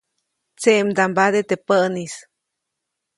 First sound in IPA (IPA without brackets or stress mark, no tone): t͡s